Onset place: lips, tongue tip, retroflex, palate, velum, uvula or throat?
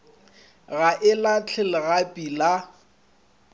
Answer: velum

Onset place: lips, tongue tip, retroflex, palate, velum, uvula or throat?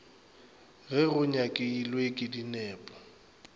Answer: velum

